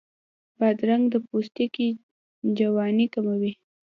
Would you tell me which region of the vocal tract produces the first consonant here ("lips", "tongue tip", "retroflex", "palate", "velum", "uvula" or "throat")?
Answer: lips